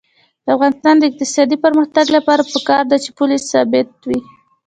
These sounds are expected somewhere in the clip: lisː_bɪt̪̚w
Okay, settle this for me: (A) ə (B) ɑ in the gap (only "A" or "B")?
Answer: B